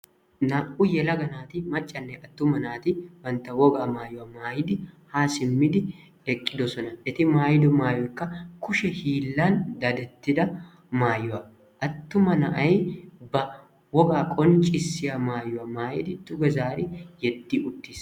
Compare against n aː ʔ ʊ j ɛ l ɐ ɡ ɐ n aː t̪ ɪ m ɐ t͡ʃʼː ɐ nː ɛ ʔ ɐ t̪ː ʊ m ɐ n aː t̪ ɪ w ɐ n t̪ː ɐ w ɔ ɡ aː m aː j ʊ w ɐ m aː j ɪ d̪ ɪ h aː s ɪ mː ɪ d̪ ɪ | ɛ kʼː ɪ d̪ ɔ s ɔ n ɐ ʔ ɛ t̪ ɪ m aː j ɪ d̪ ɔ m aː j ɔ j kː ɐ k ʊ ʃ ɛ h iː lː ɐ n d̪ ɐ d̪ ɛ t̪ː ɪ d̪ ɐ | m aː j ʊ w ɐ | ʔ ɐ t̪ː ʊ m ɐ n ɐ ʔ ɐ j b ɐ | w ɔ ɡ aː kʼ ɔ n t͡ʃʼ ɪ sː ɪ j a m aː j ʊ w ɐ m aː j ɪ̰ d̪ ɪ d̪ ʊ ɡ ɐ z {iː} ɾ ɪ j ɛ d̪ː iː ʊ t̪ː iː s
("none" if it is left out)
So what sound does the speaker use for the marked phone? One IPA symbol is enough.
aː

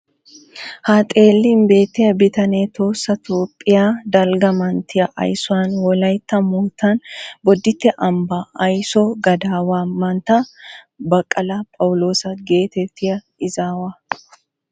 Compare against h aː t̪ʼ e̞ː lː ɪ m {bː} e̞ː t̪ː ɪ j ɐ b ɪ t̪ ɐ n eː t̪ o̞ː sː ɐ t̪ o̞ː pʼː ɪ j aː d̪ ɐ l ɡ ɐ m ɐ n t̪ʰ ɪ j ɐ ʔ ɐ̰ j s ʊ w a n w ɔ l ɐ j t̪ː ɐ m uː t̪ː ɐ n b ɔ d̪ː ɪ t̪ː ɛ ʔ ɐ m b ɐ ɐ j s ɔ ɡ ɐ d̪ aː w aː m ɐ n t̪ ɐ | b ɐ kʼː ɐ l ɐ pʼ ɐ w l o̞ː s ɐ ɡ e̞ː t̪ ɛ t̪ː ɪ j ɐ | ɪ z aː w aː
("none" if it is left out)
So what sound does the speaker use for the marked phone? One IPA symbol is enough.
b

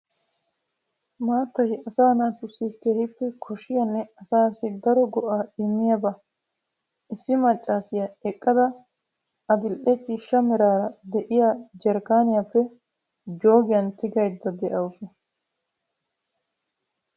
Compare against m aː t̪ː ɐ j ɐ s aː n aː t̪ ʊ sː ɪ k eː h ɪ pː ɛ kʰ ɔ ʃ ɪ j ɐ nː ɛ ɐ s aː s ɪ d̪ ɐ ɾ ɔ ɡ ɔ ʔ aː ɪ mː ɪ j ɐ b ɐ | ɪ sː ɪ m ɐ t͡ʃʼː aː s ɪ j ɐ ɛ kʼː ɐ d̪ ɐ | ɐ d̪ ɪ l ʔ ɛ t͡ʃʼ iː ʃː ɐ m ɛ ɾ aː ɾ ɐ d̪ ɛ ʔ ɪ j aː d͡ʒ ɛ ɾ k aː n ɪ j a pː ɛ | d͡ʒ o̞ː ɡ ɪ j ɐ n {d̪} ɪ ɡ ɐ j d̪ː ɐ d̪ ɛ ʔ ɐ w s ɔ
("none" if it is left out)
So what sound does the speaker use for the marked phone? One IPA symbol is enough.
t̪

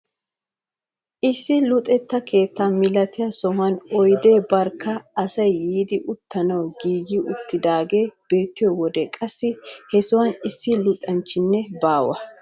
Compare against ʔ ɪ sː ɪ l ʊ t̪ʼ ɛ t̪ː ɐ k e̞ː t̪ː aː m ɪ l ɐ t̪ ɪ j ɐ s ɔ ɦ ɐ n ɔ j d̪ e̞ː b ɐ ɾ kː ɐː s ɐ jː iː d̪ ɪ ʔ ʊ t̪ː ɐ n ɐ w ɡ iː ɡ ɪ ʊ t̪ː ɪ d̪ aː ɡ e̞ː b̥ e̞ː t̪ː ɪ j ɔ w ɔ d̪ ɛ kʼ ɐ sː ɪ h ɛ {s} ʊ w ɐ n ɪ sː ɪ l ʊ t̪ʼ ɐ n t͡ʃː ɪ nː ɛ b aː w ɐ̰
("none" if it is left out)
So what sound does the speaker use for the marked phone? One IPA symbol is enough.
s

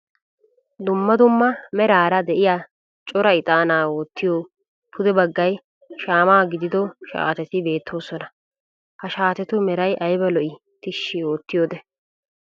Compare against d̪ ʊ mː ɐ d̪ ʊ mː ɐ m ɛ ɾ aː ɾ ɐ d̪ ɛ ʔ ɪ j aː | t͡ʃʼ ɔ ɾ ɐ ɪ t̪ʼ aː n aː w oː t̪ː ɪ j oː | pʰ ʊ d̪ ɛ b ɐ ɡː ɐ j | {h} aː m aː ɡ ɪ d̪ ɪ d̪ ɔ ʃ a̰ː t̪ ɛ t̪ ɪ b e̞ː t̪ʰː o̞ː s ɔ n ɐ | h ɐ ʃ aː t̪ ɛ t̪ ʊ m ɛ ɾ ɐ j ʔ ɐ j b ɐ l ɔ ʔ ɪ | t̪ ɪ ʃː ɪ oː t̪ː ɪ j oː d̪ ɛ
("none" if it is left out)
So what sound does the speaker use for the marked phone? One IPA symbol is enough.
ʃ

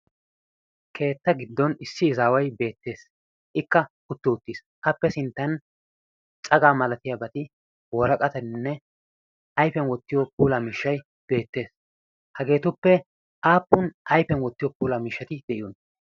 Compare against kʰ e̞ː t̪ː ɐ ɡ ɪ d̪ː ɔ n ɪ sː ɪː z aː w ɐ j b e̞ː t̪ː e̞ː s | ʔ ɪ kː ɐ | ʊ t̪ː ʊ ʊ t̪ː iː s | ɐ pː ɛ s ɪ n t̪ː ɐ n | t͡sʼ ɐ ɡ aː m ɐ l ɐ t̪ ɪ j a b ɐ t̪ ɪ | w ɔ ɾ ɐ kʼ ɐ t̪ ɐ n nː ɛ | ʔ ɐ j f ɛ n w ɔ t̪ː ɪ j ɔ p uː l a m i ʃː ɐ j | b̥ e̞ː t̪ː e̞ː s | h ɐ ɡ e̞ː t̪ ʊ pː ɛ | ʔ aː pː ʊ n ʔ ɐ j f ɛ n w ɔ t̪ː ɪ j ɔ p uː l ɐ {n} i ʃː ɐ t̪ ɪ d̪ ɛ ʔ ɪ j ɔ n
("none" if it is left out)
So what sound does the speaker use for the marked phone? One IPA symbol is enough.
m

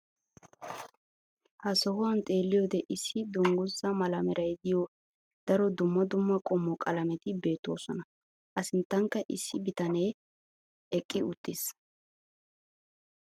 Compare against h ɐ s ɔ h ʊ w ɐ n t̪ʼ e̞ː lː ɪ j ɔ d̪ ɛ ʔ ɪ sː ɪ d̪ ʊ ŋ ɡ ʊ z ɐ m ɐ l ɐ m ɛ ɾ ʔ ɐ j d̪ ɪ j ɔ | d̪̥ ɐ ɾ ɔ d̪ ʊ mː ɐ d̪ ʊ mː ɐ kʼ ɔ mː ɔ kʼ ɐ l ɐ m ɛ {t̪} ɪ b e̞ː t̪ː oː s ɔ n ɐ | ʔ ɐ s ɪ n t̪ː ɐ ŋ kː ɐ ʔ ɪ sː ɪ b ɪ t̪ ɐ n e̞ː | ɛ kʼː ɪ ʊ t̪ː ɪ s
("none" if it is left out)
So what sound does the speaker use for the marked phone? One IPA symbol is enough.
t̪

